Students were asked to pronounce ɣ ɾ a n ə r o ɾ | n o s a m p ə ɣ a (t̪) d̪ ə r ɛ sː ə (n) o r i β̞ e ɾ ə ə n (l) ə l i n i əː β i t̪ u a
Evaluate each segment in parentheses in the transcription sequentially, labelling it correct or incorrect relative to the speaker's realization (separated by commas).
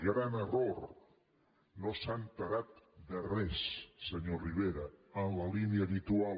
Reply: correct, incorrect, correct